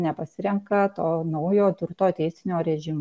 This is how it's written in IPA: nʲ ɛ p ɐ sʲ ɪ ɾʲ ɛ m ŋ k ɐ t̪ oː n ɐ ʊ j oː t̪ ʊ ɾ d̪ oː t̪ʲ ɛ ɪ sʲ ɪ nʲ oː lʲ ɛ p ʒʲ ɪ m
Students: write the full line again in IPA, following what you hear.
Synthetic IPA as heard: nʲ ɛ p ɐ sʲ ɪ ɾʲ ɛ ŋ k ɐ t̪ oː n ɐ ʊ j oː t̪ ʊ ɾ t̪ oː t̪ʲ ɛ ɪ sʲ ɪ nʲ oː ɾʲ ɛ ʒʲ ɪ m